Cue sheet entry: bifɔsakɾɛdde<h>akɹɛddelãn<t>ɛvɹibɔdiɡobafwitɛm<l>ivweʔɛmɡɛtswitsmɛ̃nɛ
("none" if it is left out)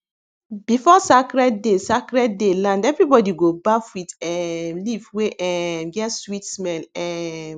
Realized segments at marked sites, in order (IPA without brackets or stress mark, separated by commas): s, d, l